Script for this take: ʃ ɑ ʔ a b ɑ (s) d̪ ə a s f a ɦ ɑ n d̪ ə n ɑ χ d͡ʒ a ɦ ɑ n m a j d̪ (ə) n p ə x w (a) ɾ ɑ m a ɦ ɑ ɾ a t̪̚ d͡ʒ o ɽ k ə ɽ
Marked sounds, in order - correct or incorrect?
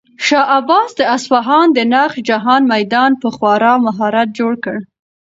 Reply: correct, incorrect: ɑ, incorrect: ɑ

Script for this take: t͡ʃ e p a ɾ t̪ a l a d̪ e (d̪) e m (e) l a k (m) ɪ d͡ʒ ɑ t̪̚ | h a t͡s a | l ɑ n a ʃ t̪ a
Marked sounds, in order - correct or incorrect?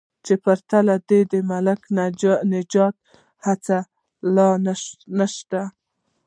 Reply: correct, incorrect: a, incorrect: n

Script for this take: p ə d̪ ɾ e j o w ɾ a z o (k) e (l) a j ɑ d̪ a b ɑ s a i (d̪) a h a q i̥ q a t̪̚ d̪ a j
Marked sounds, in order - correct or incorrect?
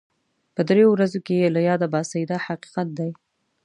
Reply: correct, correct, correct

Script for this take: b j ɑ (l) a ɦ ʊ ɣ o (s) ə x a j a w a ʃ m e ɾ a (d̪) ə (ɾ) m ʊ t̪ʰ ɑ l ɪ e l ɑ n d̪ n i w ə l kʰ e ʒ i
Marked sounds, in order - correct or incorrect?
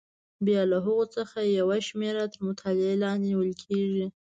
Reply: correct, incorrect: t͡s, incorrect: t̪, correct

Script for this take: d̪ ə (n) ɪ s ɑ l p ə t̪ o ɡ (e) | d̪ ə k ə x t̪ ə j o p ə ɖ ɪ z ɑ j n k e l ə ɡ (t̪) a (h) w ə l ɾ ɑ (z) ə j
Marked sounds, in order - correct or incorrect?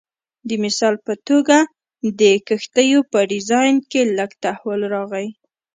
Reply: incorrect: m, incorrect: a, correct, correct, incorrect: ɣ

